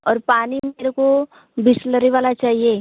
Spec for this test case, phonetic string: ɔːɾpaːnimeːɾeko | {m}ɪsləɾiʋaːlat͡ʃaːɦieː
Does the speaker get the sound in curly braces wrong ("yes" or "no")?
yes